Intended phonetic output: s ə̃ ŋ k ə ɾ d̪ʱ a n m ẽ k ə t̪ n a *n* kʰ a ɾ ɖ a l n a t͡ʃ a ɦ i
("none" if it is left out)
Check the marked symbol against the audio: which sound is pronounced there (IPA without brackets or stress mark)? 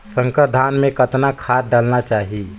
none